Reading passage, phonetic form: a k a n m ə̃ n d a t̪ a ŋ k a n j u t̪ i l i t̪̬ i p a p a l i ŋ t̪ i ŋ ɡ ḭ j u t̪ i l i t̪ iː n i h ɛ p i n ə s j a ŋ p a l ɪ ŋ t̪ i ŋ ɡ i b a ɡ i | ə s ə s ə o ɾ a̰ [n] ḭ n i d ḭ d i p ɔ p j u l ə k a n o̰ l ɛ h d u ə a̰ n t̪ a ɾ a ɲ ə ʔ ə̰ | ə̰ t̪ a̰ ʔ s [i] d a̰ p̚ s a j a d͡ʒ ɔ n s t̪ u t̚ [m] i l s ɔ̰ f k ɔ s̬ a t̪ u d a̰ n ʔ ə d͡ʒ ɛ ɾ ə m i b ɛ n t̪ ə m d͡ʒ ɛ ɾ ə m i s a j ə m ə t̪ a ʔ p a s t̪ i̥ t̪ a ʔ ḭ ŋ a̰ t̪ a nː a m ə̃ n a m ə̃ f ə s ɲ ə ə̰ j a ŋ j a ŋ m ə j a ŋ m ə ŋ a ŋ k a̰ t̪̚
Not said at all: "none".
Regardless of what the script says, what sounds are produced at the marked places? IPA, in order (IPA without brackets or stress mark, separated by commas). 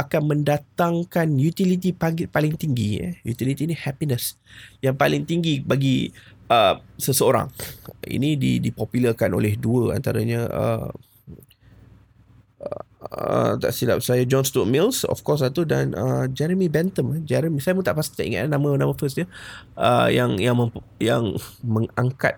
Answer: ŋ, i, m